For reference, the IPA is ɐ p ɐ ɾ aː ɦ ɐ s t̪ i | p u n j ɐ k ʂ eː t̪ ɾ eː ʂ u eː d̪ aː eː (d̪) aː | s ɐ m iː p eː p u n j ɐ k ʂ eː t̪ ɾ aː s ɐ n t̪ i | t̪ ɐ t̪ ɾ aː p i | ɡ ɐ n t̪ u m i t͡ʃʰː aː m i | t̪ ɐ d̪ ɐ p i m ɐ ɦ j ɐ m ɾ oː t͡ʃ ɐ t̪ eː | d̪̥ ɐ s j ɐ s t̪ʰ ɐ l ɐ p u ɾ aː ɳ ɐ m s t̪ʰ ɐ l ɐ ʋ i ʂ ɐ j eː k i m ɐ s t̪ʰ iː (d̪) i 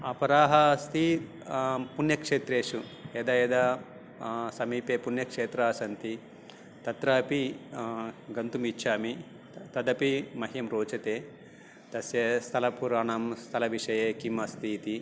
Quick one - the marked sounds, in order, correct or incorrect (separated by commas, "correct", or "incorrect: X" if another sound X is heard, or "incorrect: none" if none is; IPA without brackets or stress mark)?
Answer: correct, incorrect: t̪